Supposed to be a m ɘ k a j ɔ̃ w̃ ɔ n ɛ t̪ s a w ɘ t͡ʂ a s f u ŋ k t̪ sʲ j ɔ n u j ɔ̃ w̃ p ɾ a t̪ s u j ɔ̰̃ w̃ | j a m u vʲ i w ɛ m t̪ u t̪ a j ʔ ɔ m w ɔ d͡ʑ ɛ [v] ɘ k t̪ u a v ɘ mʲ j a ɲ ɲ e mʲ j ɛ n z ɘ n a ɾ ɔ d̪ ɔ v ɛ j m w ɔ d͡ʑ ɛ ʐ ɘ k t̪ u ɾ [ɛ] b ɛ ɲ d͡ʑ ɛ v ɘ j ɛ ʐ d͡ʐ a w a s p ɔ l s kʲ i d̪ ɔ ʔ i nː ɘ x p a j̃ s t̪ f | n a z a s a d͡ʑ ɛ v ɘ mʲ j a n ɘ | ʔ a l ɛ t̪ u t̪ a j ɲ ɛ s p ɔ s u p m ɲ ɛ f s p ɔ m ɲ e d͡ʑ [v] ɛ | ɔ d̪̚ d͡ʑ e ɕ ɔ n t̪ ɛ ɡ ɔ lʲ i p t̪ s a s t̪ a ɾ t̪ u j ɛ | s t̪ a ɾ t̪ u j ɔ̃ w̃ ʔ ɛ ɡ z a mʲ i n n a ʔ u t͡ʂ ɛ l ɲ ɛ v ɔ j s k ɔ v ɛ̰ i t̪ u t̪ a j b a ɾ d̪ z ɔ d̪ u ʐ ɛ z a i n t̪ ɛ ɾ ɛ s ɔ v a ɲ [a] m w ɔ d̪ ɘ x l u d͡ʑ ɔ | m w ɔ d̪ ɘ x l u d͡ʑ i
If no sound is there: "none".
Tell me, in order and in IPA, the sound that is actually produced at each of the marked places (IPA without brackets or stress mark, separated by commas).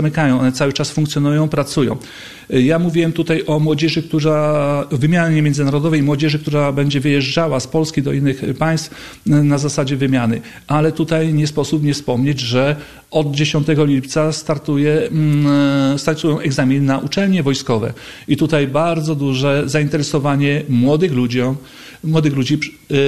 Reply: ʐ, a, ʐ, ɛ